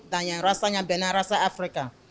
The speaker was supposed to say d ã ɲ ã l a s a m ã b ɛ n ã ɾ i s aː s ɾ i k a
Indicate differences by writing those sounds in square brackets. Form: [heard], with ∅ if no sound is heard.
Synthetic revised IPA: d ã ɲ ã [ɾ] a s a [ɲ] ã b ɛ n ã ɾ [a] s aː [f] ɾ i k a